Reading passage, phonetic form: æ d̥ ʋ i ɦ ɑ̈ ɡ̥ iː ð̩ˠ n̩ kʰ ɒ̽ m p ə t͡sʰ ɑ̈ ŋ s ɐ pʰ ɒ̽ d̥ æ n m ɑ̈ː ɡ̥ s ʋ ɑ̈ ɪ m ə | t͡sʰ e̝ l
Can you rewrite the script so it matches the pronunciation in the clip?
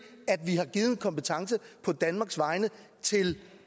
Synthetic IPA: æ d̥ ʋ i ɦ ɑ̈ ɡ̥ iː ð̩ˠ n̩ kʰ ɒ̽ m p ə t͡sʰ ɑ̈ ŋ s ə pʰ ɒ̽ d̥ æ n m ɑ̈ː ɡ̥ s ʋ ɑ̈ ɪ n ə | t͡sʰ e̝ l